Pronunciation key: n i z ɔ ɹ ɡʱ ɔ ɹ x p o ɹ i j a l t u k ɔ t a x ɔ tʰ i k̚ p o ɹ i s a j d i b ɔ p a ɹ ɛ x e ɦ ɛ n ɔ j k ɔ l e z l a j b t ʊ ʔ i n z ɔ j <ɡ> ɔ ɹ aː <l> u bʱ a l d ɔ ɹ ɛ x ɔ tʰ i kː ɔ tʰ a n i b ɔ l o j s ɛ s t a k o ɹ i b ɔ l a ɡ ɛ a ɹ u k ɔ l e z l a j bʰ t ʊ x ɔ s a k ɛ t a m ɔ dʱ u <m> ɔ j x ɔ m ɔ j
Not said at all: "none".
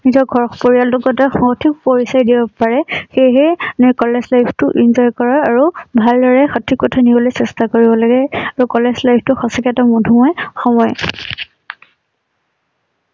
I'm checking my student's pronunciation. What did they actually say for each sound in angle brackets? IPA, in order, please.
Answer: k, ɹ, m

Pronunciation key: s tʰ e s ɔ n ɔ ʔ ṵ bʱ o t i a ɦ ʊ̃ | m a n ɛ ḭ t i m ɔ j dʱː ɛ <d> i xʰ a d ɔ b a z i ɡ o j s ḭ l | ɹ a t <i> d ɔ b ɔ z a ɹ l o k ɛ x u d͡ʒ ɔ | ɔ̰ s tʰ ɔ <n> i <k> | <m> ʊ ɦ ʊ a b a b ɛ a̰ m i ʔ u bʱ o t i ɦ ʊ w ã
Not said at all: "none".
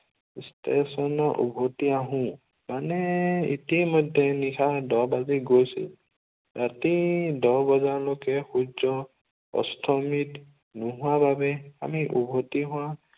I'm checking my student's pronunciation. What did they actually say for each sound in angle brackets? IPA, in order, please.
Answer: n, i, m, t, n

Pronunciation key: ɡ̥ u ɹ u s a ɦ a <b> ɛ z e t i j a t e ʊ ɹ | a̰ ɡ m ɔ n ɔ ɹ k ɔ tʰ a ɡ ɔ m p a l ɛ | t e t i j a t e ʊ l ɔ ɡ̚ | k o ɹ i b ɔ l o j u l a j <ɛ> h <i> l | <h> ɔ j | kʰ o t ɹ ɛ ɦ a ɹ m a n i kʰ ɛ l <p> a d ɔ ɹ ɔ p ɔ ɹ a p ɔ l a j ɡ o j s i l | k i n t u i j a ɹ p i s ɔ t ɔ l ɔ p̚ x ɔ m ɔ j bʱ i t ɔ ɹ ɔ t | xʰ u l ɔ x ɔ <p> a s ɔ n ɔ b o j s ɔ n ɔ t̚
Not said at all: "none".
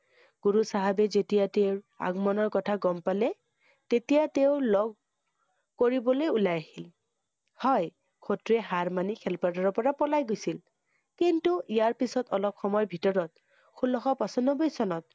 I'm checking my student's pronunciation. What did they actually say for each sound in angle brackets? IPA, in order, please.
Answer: b, a, i, h, p, p

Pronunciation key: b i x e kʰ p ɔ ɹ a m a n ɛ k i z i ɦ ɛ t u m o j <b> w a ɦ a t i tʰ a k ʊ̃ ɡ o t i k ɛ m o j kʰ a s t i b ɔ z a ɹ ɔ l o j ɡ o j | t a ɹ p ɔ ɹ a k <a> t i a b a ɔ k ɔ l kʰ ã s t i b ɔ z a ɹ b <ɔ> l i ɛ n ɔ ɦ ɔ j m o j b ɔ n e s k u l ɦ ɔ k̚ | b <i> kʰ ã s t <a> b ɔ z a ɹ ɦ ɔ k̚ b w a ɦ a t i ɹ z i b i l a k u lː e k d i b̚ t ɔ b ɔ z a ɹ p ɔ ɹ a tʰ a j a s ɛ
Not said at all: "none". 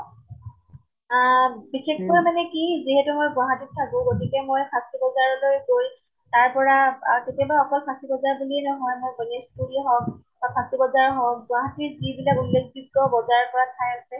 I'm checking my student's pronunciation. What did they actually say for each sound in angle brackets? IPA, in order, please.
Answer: b, e, u, a, i

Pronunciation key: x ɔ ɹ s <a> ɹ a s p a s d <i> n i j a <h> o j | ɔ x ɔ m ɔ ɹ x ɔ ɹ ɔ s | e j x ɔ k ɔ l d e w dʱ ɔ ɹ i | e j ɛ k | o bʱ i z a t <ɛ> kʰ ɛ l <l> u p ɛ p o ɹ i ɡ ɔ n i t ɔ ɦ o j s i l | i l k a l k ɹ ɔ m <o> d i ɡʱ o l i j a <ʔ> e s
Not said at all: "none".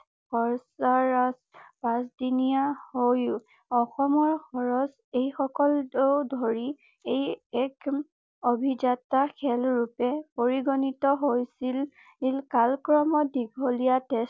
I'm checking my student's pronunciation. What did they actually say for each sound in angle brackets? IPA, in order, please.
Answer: a, i, h, a, ɹ, ɔ, t

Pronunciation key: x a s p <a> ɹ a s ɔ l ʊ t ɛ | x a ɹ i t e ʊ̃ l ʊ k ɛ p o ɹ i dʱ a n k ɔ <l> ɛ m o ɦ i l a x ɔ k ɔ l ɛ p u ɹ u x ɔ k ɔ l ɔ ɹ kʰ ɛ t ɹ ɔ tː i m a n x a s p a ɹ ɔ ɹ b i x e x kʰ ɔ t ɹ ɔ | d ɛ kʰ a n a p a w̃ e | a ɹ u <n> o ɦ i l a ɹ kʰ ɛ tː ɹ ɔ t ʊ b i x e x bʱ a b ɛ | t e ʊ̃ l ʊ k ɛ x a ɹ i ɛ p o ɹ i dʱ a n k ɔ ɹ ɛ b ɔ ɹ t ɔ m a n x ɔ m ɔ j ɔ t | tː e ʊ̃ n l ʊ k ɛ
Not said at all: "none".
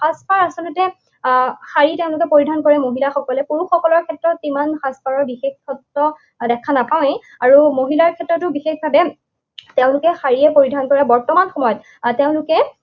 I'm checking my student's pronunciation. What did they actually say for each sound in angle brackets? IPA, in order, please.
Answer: a, ɹ, m

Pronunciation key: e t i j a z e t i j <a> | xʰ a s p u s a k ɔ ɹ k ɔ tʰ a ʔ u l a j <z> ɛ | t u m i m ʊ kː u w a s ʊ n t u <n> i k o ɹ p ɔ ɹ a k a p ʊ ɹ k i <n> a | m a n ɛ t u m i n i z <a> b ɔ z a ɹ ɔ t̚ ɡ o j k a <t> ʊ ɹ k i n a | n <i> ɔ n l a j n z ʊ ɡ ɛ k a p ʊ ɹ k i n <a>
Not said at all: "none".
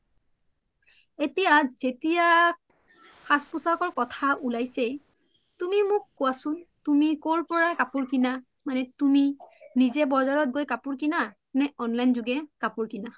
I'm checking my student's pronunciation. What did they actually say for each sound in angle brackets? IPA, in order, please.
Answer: a, s, m, n, ɛ, p, ɛ, a

